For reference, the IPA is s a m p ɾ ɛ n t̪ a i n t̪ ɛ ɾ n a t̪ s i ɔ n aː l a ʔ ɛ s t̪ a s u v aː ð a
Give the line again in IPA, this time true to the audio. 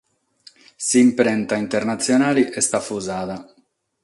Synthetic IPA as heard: s i m p ɾ ɛ n t̪ a i n t̪ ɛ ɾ n a t̪ s j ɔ n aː l i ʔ ɛ s t̪ a f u z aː ð a